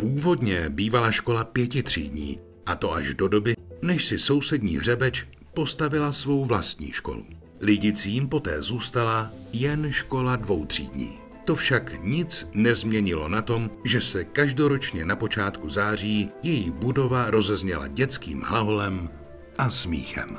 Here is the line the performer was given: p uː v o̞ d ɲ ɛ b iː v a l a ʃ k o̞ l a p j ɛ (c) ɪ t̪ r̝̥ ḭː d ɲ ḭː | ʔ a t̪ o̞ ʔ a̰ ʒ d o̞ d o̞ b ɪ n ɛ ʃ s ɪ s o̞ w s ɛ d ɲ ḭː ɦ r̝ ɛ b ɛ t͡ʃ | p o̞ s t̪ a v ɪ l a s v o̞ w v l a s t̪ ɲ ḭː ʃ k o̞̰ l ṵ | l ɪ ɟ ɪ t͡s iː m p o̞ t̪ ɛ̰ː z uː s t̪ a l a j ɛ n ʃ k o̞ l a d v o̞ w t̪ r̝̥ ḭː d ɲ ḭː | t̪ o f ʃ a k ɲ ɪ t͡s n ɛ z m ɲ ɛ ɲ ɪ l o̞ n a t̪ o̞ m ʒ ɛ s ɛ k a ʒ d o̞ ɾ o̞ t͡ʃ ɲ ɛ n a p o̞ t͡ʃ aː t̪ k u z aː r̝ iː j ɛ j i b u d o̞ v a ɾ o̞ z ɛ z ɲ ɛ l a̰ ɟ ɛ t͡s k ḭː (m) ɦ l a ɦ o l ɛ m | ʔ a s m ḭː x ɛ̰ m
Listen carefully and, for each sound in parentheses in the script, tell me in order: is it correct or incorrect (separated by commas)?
correct, correct